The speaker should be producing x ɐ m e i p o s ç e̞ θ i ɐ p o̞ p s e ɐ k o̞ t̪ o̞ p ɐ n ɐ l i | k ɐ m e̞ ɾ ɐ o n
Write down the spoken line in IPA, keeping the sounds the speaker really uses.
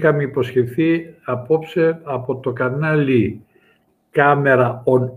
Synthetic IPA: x ɐ m e i p o s ç e̞ θ i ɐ p o̞ p s e ɐ p o̞ t̪ o̞ k ɐ n ɐ l i | k ɐ m e̞ ɾ ɐ o n